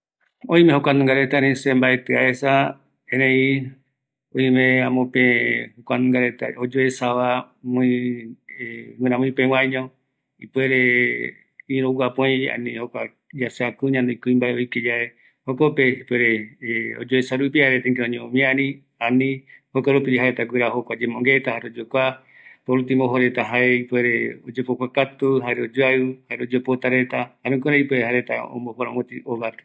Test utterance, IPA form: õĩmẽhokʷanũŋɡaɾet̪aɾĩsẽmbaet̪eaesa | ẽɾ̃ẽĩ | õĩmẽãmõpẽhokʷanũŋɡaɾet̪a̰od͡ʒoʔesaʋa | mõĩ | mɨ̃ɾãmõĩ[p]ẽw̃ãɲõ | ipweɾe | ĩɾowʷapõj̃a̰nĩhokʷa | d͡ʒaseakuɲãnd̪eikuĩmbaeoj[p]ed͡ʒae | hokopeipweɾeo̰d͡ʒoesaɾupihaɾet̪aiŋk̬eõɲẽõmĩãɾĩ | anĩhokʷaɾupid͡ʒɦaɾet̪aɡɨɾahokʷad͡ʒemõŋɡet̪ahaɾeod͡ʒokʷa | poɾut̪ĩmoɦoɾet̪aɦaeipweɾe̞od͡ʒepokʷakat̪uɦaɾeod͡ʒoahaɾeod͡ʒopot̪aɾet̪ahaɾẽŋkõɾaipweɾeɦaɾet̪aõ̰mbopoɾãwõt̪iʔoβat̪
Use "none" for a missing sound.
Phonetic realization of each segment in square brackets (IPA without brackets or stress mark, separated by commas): p, k